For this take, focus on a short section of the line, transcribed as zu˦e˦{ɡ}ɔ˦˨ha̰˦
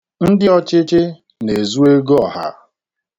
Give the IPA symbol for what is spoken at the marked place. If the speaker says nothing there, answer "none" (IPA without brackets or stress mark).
ɡ